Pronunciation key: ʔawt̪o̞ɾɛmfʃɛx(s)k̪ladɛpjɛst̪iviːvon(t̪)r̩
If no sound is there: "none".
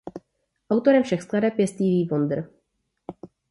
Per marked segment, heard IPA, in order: s, d̪

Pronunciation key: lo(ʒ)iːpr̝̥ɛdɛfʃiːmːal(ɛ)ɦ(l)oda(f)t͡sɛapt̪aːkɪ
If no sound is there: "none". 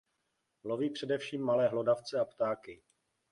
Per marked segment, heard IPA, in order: v, ɛː, l, f

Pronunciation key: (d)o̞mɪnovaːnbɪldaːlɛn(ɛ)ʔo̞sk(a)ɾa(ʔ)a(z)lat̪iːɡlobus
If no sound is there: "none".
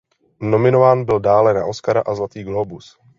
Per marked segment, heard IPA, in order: n, a, a, ʔ, z

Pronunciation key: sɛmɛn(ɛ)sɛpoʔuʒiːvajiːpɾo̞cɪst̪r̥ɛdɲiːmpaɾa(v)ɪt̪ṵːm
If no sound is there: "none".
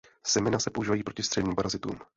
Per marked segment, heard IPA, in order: a, z

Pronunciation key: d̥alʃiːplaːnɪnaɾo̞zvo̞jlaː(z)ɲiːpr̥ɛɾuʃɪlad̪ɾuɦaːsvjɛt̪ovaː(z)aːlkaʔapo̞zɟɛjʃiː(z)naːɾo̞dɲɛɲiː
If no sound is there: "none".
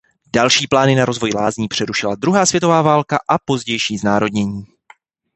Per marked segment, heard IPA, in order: z, v, z

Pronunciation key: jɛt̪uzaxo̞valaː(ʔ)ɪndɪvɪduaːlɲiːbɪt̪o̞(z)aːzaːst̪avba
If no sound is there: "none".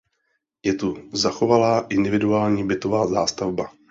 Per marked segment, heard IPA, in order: ʔ, v

